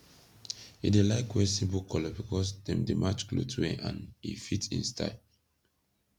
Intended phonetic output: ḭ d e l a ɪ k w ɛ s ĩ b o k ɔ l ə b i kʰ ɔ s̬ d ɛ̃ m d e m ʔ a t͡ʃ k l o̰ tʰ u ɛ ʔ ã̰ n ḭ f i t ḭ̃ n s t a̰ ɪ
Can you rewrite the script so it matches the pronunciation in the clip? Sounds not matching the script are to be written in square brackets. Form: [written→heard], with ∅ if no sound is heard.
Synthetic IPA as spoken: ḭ d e l a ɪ k w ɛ s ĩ b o k ɔ l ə b i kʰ ɔ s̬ d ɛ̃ m d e m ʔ a t͡ʃ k l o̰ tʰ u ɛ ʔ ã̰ n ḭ f i t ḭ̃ n s t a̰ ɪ

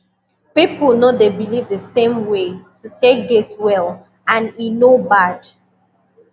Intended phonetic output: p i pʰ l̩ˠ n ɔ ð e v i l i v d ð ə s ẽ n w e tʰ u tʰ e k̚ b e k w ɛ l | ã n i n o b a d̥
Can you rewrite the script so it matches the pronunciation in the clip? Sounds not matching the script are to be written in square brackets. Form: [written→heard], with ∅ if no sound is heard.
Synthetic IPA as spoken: p i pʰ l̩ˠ n [ɔ→o] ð e [v→b] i l i v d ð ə s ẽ [n→m] w e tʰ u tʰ e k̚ [b→ɡ] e [k→t] w ɛ l | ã n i n o b a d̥

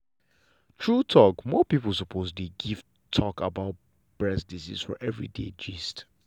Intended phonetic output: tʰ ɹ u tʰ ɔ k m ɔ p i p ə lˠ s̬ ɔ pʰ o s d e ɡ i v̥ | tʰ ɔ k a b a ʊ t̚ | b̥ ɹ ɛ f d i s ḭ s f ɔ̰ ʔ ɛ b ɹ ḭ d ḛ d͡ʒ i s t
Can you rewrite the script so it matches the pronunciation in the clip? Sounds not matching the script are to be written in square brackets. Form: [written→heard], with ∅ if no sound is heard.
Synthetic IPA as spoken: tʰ ɹ u tʰ ɔ k m ɔ p i p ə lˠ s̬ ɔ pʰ o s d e ɡ i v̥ | tʰ ɔ k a b a ʊ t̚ | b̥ ɹ ɛ [f→s] d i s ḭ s f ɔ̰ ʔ ɛ [b→v] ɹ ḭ d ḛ d͡ʒ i s t

